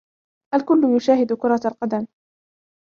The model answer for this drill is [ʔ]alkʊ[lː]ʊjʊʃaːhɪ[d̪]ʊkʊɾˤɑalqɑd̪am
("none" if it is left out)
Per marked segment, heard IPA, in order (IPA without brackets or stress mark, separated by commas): ʔ, lː, d̪